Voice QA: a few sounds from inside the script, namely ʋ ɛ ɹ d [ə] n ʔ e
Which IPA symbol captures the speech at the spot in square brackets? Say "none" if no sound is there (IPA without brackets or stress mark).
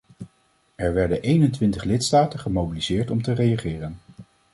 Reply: ə